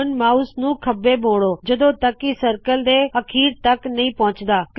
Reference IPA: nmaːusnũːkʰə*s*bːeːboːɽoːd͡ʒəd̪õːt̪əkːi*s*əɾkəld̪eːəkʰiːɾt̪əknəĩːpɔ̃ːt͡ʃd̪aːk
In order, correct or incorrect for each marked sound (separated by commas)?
incorrect, correct